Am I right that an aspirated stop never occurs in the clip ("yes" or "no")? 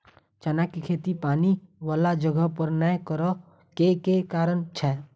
no